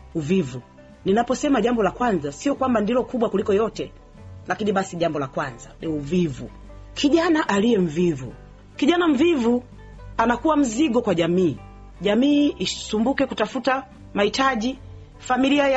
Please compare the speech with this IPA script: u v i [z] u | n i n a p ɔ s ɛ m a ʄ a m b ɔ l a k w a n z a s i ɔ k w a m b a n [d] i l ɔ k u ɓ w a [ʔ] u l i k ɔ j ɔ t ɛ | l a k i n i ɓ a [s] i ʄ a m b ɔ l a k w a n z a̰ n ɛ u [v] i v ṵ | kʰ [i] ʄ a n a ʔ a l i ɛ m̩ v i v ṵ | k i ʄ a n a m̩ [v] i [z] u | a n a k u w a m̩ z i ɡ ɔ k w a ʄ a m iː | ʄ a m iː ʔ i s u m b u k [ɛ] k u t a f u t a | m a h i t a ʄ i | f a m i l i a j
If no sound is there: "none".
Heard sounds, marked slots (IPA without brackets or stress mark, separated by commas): v, d, k, s, v, i, v, v, ɛ